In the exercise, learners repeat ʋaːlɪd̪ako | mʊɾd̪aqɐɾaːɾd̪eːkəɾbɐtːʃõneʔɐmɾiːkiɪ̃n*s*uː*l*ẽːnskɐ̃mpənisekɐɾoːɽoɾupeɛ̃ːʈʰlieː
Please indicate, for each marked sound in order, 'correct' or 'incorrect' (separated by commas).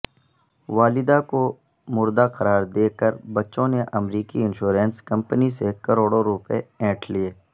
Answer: incorrect, incorrect